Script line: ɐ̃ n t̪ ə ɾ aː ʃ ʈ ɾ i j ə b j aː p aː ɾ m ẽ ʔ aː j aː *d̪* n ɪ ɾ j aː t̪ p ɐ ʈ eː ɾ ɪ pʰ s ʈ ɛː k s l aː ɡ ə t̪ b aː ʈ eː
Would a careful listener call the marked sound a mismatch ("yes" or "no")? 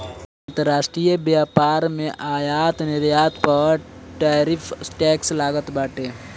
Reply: yes